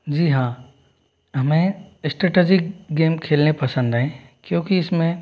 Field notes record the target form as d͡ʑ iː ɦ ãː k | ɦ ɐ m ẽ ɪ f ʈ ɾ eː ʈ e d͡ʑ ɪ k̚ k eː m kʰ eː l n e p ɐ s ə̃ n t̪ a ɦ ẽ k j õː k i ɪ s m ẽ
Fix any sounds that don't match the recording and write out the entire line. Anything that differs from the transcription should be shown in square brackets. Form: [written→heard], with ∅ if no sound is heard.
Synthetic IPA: d͡ʑ iː ɦ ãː [k→∅] | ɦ ɐ m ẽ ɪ [f→s] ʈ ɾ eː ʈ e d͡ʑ ɪ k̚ [k→ɡ] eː m kʰ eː l n e p ɐ s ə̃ n [t̪→d̪] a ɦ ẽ k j õː k i ɪ s m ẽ